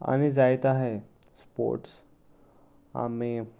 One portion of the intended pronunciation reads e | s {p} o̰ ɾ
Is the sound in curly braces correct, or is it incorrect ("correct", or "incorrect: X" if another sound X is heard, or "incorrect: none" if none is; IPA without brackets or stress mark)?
correct